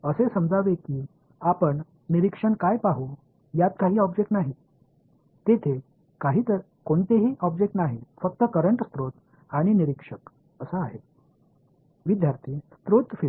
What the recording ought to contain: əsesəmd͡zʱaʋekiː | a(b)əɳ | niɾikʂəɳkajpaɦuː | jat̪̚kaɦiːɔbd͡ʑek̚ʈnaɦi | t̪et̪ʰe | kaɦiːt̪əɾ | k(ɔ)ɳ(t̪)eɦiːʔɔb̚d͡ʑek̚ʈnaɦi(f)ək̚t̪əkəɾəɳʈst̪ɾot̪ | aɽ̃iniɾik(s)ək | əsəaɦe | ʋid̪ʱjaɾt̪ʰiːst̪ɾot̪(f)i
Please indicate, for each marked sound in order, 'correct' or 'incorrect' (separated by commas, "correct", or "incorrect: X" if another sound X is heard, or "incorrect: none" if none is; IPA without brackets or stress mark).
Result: incorrect: p, incorrect: o, correct, correct, incorrect: ʂ, correct